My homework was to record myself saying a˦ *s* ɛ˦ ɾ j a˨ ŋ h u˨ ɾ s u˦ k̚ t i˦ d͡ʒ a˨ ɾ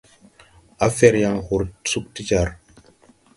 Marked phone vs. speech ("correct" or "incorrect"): incorrect